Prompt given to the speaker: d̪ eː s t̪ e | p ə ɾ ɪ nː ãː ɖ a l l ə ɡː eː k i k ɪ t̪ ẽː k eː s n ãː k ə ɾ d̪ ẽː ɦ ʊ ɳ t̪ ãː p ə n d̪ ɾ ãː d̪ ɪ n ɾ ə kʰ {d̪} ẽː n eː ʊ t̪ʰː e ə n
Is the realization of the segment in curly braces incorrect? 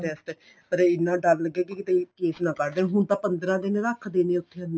no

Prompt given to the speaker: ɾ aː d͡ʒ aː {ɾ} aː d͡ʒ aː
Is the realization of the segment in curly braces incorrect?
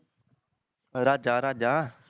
no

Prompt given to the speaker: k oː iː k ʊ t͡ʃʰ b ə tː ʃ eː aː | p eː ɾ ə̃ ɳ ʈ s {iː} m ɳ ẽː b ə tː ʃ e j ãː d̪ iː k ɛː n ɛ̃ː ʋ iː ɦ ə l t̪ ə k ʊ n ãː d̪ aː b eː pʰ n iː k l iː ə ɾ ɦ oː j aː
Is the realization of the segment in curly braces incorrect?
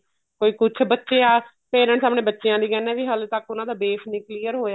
yes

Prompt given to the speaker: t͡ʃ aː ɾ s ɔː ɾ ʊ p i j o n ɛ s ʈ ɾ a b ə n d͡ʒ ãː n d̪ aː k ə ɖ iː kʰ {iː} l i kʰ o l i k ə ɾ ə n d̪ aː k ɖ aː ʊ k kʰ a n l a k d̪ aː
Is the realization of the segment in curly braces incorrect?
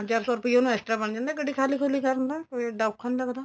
yes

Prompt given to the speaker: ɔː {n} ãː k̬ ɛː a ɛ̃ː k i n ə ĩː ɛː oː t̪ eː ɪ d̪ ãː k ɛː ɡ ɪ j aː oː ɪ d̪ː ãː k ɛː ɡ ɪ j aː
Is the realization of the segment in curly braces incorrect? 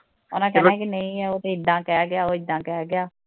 no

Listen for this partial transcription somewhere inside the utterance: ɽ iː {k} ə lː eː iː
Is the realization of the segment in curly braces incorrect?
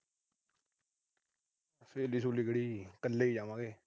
no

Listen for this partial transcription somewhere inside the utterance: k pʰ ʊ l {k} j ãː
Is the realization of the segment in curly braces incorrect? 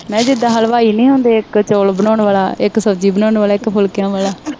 no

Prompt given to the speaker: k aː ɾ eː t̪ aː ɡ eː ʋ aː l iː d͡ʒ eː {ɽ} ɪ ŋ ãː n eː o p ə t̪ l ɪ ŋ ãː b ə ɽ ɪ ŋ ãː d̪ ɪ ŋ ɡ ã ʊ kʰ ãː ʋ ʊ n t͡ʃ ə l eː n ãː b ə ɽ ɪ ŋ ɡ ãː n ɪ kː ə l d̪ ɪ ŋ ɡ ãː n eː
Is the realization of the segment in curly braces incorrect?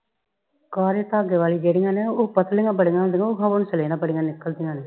no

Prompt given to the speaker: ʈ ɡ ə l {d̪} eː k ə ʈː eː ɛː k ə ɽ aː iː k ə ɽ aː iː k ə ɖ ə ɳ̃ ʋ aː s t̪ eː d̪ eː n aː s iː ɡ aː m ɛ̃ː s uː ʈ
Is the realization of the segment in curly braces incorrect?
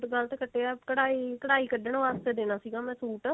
yes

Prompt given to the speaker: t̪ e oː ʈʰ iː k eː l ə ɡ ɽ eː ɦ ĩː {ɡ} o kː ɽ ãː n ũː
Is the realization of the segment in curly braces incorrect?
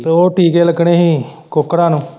yes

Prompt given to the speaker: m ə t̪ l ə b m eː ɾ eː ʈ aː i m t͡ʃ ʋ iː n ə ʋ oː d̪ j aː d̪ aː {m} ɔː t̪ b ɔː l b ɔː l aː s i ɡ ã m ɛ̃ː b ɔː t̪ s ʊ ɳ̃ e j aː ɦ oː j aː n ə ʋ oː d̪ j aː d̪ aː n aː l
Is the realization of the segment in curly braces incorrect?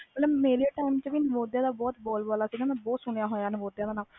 yes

